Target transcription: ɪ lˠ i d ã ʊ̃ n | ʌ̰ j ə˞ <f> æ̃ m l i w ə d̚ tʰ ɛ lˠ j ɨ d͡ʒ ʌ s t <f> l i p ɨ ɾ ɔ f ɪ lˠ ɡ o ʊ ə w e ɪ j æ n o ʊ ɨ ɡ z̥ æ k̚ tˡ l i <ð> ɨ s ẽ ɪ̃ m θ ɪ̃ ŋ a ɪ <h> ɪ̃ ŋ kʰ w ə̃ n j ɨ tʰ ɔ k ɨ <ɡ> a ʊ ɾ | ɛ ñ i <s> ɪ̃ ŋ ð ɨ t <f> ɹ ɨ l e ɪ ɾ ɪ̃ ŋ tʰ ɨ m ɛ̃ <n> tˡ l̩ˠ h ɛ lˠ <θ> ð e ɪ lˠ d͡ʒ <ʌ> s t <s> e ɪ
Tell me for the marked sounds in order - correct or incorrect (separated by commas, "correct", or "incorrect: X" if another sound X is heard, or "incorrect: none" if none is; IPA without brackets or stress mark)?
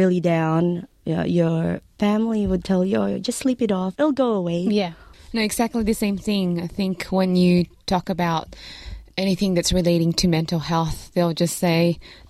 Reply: correct, incorrect: s, correct, incorrect: θ, incorrect: b, incorrect: θ, incorrect: s, correct, correct, correct, correct